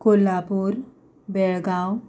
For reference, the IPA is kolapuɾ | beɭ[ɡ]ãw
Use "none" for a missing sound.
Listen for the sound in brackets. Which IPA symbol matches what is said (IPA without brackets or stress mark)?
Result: ɡ